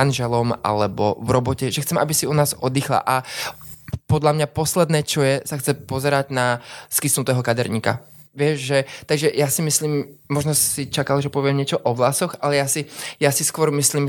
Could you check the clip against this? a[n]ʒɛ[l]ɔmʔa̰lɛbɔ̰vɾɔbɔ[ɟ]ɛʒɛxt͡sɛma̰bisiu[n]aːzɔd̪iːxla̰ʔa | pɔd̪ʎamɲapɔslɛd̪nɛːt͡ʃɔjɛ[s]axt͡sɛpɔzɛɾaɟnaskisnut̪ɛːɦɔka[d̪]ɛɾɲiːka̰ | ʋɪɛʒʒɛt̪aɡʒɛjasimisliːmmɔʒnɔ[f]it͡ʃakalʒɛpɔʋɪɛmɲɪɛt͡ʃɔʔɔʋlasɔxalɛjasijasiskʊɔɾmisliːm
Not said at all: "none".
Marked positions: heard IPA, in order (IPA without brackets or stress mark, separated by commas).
n, l, c, n, s, d̪, s